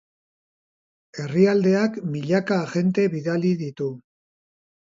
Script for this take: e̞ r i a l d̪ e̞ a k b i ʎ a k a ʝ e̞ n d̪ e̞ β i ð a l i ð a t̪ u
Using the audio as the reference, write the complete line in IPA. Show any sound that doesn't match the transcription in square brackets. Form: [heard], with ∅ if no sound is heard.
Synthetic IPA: e̞ r i a l d̪ e̞ a k [m] i ʎ a k a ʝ e̞ n [t̪] e̞ β i ð a l i ð [i] t̪ u